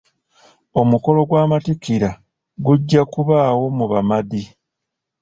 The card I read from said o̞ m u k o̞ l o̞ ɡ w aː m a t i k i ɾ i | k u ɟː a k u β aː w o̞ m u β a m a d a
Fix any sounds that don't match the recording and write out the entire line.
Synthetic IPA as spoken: o̞ m u k o̞ l o̞ ɡ w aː m a t i k i ɾ a | ɡ u ɟː a k u β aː w o̞ m u β a m a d i